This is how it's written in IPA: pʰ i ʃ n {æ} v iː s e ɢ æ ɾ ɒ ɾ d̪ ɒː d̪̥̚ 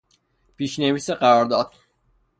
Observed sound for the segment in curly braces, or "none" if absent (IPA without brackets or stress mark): e